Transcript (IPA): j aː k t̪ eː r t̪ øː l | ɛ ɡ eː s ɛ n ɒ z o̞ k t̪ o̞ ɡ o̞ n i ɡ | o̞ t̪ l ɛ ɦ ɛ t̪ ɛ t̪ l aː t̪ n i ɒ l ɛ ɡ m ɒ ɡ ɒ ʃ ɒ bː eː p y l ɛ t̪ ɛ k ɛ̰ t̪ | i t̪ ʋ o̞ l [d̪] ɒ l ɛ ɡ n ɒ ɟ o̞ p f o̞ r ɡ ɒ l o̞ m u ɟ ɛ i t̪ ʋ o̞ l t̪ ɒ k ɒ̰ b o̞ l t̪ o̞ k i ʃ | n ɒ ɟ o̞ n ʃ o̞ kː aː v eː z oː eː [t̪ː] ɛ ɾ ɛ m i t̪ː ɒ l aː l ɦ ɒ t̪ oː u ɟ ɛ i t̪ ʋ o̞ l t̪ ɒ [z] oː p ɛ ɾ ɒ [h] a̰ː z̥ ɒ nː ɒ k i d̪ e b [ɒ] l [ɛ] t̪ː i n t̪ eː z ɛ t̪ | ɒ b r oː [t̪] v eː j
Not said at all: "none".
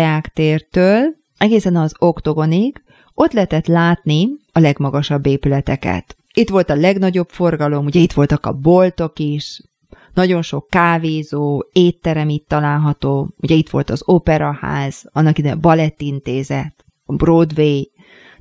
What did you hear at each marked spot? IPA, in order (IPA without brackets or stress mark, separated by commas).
t̪, t̪ː, z, h, ɒ, ɛ, d̪